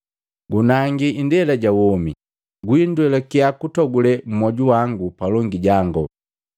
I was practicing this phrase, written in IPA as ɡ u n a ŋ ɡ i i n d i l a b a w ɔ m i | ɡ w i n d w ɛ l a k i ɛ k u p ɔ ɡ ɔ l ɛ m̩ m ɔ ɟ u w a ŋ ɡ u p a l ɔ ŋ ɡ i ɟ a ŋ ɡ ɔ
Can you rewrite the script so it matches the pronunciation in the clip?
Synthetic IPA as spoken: ɡ u n a ŋ ɡ i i n d ɛ l a ɟ a w ɔ m i | ɡ w i n d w ɛ l a k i a k u t ɔ ɡ u l ɛ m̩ m ɔ ɟ u w a ŋ ɡ u p a l ɔ ŋ ɡ i ɟ a ŋ ɡ ɔ